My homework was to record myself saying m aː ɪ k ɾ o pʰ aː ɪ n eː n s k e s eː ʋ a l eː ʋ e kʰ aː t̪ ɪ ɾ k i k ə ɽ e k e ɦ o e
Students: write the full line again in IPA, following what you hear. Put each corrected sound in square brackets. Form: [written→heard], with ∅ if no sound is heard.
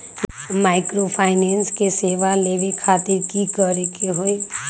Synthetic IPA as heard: m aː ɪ k ɾ o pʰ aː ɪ n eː n s k e s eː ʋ a l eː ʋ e kʰ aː t̪ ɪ ɾ k i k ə [ɽ→ɾ] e k e ɦ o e